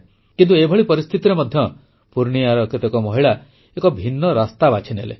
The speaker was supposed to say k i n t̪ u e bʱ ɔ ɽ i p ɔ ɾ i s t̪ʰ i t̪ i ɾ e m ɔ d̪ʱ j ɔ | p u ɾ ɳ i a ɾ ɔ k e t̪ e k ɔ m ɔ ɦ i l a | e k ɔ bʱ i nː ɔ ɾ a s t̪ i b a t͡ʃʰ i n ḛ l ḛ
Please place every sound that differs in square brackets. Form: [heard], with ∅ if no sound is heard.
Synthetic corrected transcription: k i n t̪ u e bʱ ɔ [ɭ] i p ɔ ɾ i s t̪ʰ i t̪ i ɾ e m ɔ d̪ʱ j ɔ | p u ɾ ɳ i a ɾ ɔ k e t̪ e k ɔ m ɔ ɦ i [ɭ] a | e k ɔ bʱ i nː ɔ ɾ a s t̪ [a] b a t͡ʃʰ i n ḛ l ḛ